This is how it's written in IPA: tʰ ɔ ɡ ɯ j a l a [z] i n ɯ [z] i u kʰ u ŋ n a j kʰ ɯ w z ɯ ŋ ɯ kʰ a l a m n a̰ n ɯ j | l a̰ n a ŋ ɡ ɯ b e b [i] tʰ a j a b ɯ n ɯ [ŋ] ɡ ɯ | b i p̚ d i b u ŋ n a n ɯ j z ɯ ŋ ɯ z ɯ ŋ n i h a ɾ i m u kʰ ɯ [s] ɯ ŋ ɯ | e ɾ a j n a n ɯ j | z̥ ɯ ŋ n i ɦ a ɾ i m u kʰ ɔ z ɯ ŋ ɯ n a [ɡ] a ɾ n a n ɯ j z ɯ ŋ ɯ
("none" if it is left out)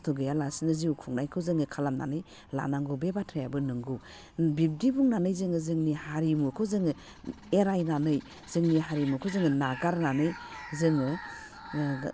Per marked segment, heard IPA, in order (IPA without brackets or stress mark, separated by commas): s, z, a, ŋ, z, ɡ